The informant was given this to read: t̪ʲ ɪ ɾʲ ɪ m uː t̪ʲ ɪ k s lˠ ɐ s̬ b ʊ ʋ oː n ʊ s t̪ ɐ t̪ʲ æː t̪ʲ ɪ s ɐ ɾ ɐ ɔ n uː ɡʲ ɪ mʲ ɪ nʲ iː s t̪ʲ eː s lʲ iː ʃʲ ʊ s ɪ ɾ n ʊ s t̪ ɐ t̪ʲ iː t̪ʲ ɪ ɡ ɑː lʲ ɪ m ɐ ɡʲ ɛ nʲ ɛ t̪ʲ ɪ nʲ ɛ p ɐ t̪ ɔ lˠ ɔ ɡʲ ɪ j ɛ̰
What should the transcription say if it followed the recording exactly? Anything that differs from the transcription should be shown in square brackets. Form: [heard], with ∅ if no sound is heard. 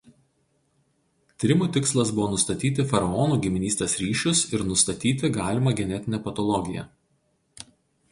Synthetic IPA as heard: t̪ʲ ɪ ɾʲ ɪ m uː t̪ʲ ɪ k s lˠ ɐ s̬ b ʊ ʋ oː n ʊ s t̪ ɐ t̪ʲ [iː] t̪ʲ ɪ [f] ɐ ɾ ɐ ɔ n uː ɡʲ ɪ mʲ ɪ nʲ iː s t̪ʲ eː s [ɾʲ] iː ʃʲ ʊ s ɪ ɾ n ʊ s t̪ ɐ t̪ʲ iː t̪ʲ ɪ ɡ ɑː lʲ ɪ m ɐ ɡʲ ɛ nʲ ɛ t̪ʲ ɪ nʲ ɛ p ɐ t̪ ɔ lˠ ɔ ɡʲ ɪ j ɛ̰